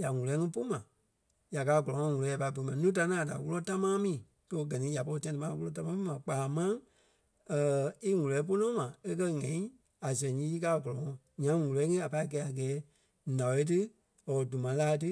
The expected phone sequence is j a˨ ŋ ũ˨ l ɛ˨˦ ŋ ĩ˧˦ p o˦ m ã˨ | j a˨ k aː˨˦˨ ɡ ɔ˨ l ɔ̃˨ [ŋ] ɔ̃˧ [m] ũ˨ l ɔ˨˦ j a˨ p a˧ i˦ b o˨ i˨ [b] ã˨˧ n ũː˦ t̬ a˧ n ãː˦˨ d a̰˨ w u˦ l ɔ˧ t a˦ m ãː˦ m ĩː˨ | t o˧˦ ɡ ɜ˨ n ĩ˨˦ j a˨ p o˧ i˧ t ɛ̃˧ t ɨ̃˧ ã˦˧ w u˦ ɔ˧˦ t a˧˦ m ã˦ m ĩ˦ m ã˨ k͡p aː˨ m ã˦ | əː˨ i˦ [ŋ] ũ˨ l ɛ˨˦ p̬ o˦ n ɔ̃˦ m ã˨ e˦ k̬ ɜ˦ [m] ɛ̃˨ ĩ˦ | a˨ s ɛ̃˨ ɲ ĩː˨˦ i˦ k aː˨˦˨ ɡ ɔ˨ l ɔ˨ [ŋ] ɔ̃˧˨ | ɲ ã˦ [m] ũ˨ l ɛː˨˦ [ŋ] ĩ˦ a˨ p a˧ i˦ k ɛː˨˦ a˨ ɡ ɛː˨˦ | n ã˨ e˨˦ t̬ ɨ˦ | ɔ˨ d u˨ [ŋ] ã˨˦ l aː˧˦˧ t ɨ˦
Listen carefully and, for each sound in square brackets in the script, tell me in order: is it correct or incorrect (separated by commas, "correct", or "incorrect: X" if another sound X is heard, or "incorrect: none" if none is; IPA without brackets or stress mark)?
correct, incorrect: ŋ, incorrect: m, correct, incorrect: ŋ, correct, incorrect: ŋ, correct, incorrect: m